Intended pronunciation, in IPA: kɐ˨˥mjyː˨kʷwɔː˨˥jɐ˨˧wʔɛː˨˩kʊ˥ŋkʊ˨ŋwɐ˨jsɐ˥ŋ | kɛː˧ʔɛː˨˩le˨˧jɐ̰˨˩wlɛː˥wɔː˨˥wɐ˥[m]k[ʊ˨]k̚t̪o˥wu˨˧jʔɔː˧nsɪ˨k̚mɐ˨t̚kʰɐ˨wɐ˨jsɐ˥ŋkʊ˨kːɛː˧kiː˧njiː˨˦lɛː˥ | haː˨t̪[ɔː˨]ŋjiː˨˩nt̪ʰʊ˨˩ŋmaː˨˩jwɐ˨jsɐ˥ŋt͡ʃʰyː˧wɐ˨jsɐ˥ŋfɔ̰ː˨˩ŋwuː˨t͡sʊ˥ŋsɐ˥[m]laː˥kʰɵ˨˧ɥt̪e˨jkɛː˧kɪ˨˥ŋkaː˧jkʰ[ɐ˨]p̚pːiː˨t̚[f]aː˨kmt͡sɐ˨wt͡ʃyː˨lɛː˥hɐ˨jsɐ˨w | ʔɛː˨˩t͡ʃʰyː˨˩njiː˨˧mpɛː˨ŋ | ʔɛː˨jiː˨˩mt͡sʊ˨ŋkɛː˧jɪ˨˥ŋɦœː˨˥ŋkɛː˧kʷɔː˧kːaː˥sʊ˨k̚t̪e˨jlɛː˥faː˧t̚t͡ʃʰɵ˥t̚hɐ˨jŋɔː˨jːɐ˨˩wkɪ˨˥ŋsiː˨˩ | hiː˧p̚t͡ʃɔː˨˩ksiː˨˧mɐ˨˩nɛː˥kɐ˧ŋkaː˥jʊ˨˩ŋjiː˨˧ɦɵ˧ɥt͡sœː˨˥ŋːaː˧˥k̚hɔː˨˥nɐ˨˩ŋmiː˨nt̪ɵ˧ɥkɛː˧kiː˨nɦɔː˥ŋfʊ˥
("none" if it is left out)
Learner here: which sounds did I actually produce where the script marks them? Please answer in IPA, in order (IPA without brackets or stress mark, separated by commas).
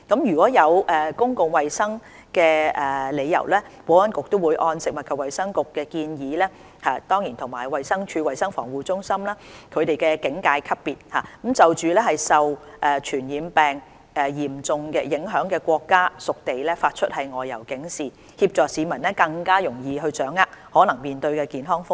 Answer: n, ʊ˨, ɔː˥, m, ɐ˥, h